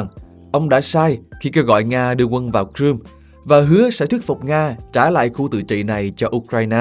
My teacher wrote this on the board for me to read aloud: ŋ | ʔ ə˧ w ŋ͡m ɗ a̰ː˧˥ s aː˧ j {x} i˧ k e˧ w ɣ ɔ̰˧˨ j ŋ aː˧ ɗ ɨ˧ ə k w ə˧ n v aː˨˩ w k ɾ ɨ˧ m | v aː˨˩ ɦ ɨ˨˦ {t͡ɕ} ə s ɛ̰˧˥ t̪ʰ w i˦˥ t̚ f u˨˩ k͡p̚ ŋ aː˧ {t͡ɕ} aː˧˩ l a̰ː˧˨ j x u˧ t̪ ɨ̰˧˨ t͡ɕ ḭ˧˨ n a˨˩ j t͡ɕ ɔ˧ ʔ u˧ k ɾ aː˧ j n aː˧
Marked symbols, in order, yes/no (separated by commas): yes, no, yes